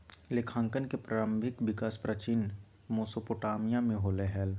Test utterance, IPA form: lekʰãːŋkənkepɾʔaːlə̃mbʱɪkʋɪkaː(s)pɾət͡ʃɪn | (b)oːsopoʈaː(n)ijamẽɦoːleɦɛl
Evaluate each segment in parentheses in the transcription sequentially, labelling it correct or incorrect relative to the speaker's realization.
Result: correct, incorrect, incorrect

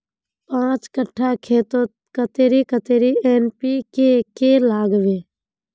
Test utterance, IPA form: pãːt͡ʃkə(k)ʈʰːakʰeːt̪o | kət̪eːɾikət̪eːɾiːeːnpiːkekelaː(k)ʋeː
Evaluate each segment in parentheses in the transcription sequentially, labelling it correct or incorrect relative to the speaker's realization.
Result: incorrect, incorrect

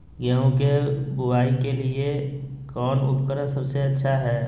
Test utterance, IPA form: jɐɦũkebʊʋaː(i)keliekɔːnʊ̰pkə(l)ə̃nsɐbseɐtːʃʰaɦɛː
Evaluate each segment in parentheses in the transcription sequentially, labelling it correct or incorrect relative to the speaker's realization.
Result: correct, incorrect

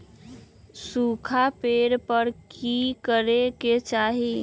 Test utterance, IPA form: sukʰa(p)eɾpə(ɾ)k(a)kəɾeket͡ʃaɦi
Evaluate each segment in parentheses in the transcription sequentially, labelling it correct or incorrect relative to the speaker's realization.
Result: correct, correct, incorrect

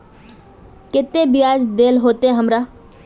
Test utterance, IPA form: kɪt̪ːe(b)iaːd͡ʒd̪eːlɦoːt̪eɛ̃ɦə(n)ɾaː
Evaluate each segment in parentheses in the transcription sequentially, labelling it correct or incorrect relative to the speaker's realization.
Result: correct, incorrect

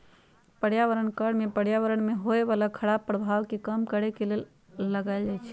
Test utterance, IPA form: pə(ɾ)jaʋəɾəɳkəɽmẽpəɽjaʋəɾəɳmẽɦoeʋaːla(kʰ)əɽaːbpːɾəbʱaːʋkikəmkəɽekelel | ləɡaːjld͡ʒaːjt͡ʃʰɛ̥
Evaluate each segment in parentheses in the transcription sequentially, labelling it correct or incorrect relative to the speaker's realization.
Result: incorrect, correct

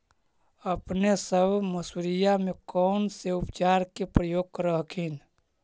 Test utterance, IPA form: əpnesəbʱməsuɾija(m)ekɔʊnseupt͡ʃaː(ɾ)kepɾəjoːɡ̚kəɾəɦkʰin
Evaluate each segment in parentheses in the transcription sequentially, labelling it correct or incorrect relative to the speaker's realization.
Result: correct, correct

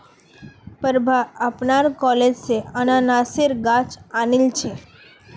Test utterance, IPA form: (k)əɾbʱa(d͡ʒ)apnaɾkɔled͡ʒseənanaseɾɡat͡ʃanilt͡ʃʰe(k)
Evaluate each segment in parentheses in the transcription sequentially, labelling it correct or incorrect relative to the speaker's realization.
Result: incorrect, incorrect, incorrect

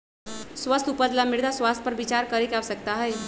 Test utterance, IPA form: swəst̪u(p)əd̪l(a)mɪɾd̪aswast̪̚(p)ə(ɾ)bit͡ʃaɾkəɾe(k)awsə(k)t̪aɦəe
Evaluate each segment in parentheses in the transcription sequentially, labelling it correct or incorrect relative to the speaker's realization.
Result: correct, correct, correct, correct, correct, correct

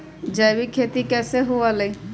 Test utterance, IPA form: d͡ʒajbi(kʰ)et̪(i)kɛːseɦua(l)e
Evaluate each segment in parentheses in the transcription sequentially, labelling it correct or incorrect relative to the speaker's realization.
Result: correct, correct, correct

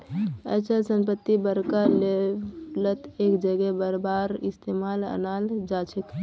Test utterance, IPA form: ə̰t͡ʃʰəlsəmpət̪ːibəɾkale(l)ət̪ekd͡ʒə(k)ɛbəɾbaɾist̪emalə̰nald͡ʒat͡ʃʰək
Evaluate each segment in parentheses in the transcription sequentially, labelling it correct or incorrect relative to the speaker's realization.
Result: correct, incorrect

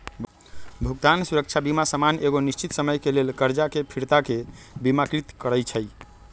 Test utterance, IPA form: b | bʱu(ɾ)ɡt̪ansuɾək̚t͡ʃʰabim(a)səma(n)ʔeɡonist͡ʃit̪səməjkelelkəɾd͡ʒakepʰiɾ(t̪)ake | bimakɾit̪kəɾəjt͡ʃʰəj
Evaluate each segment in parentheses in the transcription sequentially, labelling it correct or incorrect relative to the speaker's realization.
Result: incorrect, correct, correct, correct

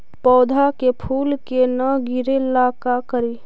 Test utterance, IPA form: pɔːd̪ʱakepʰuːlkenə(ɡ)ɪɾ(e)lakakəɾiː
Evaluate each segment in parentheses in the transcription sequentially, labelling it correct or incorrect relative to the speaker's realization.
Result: correct, correct

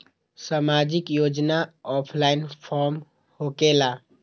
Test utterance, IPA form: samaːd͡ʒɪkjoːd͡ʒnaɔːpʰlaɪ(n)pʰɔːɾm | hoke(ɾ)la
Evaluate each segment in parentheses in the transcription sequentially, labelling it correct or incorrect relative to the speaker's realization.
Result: correct, incorrect

